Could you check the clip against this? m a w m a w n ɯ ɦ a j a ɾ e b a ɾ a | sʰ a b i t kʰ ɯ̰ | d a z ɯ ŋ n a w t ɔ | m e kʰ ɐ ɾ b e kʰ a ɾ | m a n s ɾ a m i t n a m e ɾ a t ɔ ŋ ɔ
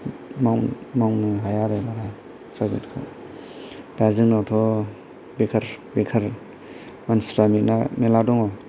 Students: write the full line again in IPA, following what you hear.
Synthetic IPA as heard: m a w m a w n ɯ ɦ a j a ɾ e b a ɾ a | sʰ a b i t kʰ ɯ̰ | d a z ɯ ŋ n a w tʰ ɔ | b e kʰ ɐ ɾ b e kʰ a ɾ | m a n s ɾ a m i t n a m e l a d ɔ ŋ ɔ